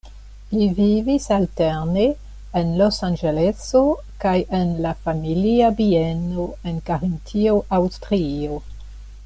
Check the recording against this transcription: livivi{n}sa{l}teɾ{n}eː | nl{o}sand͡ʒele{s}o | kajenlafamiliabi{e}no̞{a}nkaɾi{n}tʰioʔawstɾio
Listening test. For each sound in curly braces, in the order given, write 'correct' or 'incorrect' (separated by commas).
incorrect, correct, correct, correct, correct, correct, incorrect, correct